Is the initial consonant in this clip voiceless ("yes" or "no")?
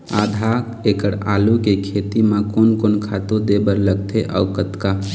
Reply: no